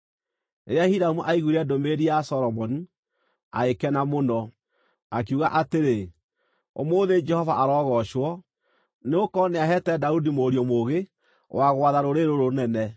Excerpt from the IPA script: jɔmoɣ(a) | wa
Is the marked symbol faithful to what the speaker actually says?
no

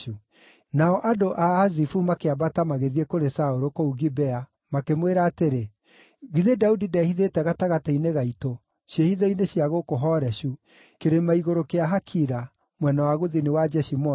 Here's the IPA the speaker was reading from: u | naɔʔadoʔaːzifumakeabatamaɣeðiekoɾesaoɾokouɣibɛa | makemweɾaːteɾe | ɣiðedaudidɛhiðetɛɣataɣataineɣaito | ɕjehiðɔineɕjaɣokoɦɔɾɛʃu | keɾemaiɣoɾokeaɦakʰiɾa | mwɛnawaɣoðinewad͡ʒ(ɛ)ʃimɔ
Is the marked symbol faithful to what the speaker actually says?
yes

